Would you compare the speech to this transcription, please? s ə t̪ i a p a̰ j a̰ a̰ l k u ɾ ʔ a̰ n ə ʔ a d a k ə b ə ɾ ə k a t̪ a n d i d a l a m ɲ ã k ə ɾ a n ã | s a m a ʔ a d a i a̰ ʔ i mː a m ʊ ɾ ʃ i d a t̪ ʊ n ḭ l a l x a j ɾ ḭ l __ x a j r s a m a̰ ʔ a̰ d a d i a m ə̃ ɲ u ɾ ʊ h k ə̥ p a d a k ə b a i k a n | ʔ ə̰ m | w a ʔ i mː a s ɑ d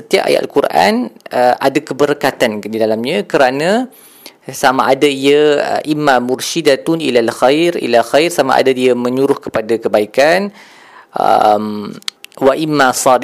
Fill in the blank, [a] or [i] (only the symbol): a